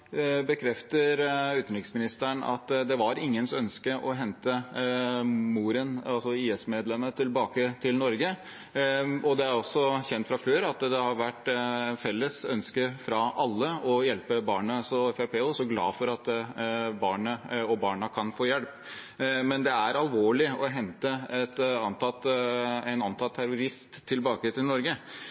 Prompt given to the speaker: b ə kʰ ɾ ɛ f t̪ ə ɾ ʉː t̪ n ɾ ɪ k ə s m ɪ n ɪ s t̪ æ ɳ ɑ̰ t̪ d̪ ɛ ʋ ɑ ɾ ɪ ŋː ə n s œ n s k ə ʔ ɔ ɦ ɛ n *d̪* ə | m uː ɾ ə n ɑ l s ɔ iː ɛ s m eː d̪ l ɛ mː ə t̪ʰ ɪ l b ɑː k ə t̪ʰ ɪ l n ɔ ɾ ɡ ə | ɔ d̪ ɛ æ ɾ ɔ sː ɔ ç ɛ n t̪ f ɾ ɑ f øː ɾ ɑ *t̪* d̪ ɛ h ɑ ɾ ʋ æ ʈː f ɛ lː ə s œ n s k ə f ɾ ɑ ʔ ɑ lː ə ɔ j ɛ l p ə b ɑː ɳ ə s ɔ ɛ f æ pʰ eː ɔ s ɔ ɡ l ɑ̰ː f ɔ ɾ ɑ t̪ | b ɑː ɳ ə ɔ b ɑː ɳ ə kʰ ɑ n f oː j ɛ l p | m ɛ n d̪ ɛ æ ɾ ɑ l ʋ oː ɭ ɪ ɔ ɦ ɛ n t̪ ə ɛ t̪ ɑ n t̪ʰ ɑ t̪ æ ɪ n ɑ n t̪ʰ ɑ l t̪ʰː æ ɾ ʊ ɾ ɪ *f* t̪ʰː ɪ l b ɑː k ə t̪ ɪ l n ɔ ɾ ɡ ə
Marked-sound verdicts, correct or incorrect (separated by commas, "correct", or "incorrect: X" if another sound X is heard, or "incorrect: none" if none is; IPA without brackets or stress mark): incorrect: t̪, correct, incorrect: s